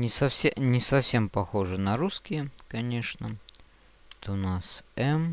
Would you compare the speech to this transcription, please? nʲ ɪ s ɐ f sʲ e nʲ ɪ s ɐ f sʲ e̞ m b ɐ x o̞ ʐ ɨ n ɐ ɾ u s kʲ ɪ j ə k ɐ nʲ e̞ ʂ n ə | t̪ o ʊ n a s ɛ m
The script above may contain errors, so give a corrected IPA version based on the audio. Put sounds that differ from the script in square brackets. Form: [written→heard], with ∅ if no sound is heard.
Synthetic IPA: nʲ ɪ s ɐ f sʲ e nʲ ɪ s ɐ f sʲ e̞ m [b→p] ɐ x o̞ ʐ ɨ n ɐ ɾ u s kʲ ɪ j ə k ɐ nʲ e̞ ʂ n ə | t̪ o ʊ n a s ɛ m